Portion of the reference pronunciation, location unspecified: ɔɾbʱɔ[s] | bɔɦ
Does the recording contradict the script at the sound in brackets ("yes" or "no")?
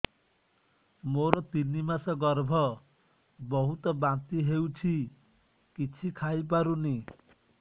yes